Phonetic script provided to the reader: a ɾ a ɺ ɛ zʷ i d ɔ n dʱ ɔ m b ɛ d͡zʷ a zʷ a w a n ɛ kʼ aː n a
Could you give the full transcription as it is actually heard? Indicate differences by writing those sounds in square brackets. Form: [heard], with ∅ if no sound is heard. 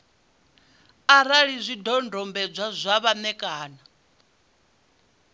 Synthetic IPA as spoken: a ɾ a ɺ [i] zʷ i d ɔ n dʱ ɔ m b ɛ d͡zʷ a zʷ a [β] a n ɛ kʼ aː n a